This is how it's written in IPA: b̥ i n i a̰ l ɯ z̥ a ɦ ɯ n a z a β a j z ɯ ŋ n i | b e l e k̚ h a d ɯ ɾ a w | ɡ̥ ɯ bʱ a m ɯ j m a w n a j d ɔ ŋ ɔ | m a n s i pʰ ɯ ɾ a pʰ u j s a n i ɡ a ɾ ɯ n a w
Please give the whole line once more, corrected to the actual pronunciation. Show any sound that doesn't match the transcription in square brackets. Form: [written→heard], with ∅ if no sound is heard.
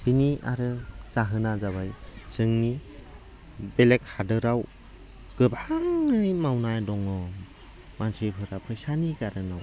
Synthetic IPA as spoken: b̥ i n i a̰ [l→ɾ] ɯ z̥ a ɦ ɯ n a z a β a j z ɯ ŋ n i | b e l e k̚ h a d ɯ ɾ a w | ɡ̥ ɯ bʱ a [m→ŋ] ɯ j m a w n a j d ɔ ŋ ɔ | m a n s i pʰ ɯ ɾ a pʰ [u→ɯ] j s a n i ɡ a ɾ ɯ n a w

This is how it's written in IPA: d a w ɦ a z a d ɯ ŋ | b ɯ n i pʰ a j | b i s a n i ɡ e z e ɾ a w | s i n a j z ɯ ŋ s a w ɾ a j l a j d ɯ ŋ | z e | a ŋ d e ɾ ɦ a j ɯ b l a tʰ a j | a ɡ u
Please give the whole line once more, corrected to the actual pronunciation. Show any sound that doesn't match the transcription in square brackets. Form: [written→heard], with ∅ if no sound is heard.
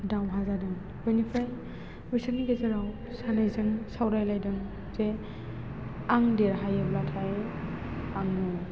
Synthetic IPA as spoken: d a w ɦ a z a d ɯ ŋ | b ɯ n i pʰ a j | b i s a n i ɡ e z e ɾ a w | s [i→a] n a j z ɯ ŋ s a w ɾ a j l a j d ɯ ŋ | z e | a ŋ d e ɾ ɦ a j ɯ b l a tʰ a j | a [ɡ→ŋ] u

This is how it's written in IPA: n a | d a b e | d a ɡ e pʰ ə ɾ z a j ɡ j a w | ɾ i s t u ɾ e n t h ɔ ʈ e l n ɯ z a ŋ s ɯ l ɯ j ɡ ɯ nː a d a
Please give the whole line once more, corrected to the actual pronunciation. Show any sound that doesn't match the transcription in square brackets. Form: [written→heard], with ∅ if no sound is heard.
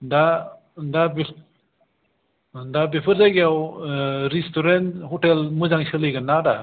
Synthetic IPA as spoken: [n→d] a | d a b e | d a [ɡ→b] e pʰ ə ɾ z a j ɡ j a w | ɾ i s t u ɾ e n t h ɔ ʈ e l [n→m] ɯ z a ŋ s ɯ l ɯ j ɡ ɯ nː a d a

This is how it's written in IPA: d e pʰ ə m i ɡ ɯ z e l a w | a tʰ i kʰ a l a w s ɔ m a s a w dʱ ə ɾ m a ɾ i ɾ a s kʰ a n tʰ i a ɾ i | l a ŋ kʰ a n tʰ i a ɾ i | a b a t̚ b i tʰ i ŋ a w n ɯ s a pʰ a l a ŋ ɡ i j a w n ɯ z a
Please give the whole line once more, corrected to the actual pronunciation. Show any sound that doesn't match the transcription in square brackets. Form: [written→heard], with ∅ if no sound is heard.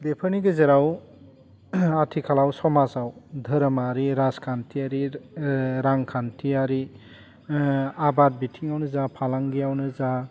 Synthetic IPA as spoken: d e pʰ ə [m→n] i ɡ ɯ z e [l→ɾ] a w | a tʰ i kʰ a l a w s ɔ m a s a w dʱ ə ɾ m a ɾ i ɾ a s kʰ a n tʰ i a ɾ i | [l→ɾ] a ŋ kʰ a n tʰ i a ɾ i | a b a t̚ b i tʰ i ŋ a w n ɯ [s→z] a pʰ a l a ŋ ɡ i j a w n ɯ z a

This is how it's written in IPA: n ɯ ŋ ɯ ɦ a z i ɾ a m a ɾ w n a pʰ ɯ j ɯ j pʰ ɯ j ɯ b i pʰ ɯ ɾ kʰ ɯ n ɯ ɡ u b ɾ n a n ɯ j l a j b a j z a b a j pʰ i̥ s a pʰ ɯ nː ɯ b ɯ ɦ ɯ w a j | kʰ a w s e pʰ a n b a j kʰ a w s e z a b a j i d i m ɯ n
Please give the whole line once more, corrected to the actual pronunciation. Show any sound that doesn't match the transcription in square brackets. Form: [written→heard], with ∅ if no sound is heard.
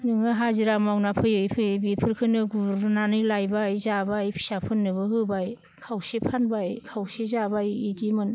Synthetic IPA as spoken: n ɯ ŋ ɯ ɦ a z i ɾ a m a [ɾ→∅] w n a pʰ ɯ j ɯ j pʰ ɯ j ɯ b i pʰ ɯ ɾ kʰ ɯ n ɯ ɡ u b ɾ n a n ɯ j l a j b a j z a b a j pʰ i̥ s a pʰ ɯ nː ɯ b ɯ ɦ ɯ [w→b] a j | kʰ a w s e pʰ a n b a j kʰ a w s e z a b a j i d i m ɯ n

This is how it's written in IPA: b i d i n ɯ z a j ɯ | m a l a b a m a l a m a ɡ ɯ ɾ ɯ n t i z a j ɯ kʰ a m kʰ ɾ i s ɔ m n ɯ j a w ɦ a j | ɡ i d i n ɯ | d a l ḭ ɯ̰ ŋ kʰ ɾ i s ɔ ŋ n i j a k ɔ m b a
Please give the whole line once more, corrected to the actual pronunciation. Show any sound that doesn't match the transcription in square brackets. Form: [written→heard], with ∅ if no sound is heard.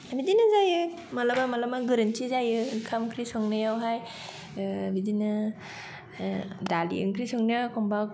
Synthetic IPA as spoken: b i d i n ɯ z a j ɯ | m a l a b a m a l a m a ɡ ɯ ɾ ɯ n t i z a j ɯ kʰ a m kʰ ɾ i s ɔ [m→ŋ] n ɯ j a w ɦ a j | [ɡ→b] i d i n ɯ | d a l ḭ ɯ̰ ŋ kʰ ɾ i s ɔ ŋ n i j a k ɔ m b a

